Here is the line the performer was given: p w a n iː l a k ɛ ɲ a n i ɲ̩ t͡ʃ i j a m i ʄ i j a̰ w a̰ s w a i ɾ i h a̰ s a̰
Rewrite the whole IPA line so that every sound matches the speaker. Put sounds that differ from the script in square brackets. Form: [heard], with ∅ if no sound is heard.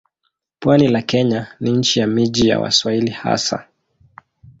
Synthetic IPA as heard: p w a n [i] l a k ɛ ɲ a n i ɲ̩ t͡ʃ i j a m i ʄ i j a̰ w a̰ s w a i [l] i h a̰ s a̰